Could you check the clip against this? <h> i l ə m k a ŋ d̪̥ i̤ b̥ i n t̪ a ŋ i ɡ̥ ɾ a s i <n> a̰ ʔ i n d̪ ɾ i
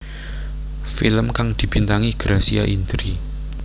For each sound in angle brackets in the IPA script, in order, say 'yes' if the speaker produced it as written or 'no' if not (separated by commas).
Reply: no, no